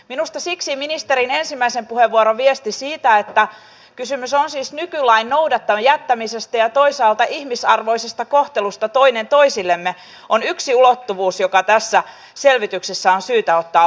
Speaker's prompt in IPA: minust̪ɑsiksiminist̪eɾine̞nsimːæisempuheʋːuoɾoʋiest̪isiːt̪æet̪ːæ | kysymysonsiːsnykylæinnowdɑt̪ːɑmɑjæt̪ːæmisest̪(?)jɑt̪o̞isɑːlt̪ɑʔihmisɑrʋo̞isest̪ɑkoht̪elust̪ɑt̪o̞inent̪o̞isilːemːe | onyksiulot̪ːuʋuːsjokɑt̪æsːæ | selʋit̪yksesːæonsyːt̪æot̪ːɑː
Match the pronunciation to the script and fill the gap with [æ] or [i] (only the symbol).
æ